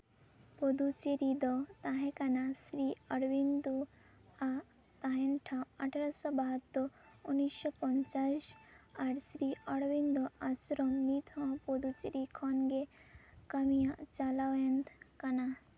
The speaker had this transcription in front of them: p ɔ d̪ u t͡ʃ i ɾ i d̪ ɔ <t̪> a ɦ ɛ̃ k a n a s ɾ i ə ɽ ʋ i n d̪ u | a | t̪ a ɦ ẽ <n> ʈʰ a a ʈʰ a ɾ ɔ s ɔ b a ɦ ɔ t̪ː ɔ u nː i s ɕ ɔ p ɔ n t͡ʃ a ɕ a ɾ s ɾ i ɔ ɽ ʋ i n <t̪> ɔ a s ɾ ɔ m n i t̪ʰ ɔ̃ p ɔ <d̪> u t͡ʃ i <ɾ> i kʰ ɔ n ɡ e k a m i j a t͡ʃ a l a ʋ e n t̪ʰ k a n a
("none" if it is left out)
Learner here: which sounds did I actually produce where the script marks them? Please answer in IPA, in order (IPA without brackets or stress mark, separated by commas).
t̪, n, d̪, d̪, ɾ